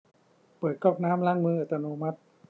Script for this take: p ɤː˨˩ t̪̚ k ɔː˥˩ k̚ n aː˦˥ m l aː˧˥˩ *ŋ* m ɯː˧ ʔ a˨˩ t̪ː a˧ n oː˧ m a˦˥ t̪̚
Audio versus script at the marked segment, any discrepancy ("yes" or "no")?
no